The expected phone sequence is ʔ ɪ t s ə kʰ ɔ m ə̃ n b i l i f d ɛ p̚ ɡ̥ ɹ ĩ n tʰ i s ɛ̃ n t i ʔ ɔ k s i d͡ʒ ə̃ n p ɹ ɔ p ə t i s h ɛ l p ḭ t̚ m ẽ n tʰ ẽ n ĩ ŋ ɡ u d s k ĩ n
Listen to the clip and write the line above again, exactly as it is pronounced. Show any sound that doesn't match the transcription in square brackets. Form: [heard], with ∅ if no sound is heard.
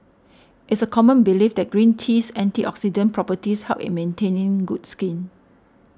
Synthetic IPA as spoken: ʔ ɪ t s ə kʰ ɔ m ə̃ n b i l i f d ɛ [t̚] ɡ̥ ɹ ĩ n tʰ i s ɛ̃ n t i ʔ ɔ k s i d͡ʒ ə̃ n p ɹ ɔ p ə t i s h ɛ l p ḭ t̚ m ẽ n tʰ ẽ n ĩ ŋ ɡ u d s k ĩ n

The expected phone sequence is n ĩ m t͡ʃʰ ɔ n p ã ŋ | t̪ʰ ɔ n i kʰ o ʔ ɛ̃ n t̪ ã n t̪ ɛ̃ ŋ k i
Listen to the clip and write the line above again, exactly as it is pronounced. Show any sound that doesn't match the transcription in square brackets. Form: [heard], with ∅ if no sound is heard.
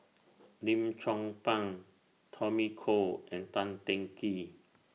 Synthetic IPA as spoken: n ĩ m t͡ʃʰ ɔ [ŋ] p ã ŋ | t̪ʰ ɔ [m] i kʰ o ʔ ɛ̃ n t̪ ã n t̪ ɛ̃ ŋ k i

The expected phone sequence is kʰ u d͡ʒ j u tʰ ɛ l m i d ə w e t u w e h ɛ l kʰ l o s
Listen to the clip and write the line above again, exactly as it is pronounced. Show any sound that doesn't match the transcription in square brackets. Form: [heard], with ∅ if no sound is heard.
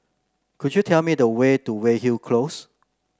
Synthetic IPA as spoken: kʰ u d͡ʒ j u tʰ ɛ l m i d ə w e t u w e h [i] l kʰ l o s

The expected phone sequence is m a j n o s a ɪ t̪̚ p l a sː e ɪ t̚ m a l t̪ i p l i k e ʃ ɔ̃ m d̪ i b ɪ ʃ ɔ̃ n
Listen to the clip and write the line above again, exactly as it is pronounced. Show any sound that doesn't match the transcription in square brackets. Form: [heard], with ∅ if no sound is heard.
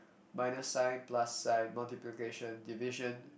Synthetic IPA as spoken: m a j n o s a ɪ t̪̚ p l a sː [a] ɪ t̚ m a l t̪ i p l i k e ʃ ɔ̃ [n] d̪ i [v] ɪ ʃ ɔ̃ n

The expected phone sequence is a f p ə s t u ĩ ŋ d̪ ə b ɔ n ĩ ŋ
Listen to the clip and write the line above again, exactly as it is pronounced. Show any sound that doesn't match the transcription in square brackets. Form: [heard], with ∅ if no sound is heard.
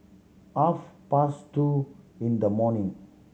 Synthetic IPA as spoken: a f p [a] s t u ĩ [n] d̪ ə [m] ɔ n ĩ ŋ

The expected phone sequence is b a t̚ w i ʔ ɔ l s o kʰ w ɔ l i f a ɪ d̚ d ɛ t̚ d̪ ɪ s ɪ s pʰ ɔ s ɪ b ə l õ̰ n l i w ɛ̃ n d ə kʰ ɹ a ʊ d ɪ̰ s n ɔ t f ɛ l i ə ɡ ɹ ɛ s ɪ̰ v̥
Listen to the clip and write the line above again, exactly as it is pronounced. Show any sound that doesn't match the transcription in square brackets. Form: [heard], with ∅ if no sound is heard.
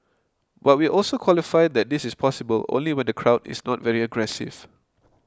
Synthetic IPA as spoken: b a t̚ w i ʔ ɔ l s o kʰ w ɔ l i f a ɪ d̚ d ɛ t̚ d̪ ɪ s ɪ s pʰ ɔ s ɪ b ə l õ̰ n l i w ɛ̃ n d ə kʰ ɹ a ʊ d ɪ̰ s n ɔ t [v] ɛ [ɹ] i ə ɡ ɹ ɛ s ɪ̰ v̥

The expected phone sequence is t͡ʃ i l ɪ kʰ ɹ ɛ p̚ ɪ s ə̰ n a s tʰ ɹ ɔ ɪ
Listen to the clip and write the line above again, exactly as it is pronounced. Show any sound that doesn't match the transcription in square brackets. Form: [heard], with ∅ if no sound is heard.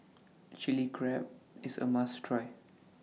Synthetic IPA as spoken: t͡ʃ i l [i] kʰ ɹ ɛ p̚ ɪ s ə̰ [m] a s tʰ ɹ ɔ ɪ

